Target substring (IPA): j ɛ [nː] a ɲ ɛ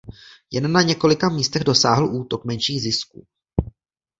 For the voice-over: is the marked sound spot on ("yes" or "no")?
yes